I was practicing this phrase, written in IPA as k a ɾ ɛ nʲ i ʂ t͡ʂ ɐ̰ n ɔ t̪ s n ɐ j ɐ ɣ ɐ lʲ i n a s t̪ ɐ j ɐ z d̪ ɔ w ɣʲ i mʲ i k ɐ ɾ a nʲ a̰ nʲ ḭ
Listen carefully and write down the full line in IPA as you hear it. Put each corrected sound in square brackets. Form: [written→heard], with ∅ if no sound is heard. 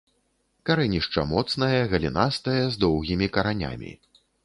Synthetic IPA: k a ɾ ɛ nʲ i ʂ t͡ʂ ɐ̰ [n→m] ɔ t̪ s n ɐ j ɐ ɣ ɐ lʲ i n a s t̪ ɐ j ɐ z d̪ ɔ w ɣʲ i mʲ i k ɐ ɾ a nʲ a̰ [nʲ→mʲ] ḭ